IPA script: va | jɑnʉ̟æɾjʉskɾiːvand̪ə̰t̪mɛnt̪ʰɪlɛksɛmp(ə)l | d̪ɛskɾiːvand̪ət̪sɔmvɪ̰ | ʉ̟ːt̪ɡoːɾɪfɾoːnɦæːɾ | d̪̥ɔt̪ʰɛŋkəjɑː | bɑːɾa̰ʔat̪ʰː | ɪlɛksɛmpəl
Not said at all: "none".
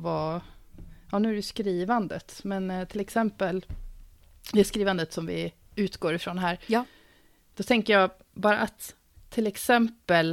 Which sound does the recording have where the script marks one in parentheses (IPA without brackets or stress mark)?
ə